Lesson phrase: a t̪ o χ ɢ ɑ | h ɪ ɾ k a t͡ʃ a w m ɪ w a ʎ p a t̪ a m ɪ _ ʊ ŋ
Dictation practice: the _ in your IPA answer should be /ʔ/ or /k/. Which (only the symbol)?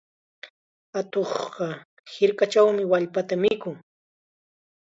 k